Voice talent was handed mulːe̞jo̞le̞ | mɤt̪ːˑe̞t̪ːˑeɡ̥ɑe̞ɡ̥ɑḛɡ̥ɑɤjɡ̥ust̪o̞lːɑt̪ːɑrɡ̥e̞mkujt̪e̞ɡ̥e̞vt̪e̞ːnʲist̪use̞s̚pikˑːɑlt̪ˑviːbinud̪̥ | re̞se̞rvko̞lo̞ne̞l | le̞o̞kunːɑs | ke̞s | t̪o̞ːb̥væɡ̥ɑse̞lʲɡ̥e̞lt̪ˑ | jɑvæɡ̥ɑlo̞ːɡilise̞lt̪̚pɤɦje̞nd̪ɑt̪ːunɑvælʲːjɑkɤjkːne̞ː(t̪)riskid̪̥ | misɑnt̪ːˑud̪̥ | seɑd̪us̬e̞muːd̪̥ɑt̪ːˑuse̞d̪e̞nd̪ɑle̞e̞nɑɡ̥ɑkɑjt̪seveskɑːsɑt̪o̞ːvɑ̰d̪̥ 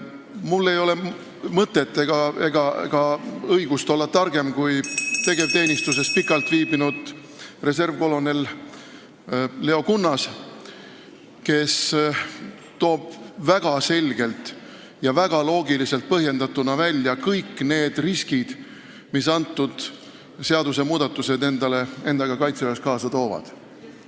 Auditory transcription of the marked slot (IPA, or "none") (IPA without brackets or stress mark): d̪